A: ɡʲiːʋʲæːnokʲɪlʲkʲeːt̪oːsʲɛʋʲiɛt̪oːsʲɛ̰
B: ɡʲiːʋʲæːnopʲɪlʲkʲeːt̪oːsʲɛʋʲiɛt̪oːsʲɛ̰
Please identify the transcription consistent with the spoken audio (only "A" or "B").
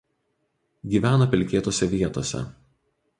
B